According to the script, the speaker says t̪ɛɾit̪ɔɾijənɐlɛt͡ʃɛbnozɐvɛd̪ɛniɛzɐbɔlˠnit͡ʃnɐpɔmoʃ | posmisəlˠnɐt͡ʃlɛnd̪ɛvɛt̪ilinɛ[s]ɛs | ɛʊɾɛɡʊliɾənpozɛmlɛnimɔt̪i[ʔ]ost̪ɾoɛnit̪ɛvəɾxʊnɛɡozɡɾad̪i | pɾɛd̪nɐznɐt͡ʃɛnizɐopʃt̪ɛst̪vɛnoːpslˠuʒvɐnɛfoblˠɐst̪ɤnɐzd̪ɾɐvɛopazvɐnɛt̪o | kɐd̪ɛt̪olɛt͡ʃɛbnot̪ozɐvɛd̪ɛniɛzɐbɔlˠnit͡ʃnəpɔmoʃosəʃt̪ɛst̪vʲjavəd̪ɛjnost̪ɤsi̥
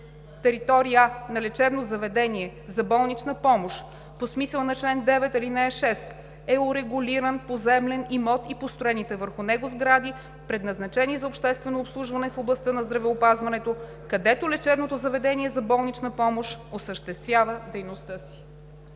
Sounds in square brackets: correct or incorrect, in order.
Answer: incorrect, incorrect

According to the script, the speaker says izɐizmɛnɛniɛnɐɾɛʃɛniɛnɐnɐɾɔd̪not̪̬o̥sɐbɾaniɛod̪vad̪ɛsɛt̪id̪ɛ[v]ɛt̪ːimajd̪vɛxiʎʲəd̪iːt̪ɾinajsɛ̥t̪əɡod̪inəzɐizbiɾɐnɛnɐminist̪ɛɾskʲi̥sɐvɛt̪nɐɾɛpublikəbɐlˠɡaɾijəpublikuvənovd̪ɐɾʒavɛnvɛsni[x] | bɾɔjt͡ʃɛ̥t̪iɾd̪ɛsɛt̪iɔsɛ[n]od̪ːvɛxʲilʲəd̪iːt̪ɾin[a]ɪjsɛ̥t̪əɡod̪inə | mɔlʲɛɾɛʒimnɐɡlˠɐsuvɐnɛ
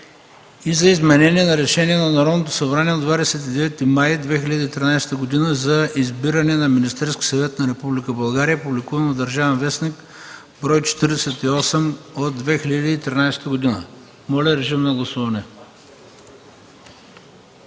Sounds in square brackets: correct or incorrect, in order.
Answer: correct, incorrect, incorrect, correct

